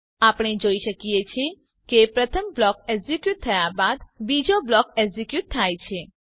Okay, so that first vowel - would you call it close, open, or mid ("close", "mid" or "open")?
open